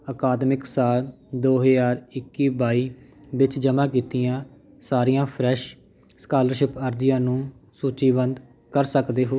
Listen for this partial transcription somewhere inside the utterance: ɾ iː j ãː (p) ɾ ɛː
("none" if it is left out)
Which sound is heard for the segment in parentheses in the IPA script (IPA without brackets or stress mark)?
pʰ